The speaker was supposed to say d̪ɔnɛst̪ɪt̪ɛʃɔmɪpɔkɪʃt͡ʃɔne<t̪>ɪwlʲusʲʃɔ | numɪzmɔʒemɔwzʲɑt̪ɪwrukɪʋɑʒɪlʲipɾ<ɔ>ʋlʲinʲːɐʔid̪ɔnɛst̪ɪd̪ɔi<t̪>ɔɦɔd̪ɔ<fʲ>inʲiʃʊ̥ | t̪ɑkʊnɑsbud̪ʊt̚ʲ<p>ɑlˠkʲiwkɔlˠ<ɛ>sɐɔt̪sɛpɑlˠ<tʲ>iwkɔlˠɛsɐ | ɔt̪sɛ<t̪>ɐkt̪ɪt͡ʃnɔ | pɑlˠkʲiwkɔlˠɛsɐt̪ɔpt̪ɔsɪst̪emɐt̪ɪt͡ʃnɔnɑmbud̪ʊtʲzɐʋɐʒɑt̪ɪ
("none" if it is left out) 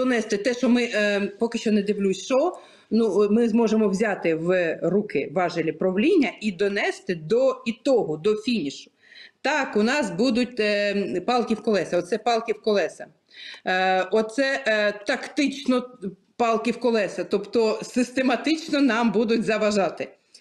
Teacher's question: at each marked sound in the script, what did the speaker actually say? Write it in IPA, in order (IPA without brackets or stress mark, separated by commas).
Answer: d̪, ɔ, t̪, fʲ, p, ɛ, kʲ, t̪